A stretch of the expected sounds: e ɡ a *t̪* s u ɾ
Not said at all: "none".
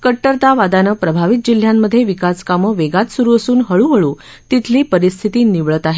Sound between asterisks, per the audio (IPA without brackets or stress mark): t̪